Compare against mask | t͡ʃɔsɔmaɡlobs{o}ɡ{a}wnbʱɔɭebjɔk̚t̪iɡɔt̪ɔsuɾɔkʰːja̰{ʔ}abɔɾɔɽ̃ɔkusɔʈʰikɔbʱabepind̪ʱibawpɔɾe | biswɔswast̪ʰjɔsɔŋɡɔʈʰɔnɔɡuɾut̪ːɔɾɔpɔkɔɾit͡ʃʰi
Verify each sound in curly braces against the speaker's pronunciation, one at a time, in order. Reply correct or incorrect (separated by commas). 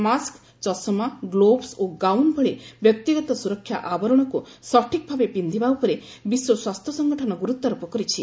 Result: correct, correct, correct